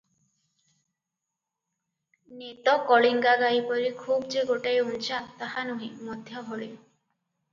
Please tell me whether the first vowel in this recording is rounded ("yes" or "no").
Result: no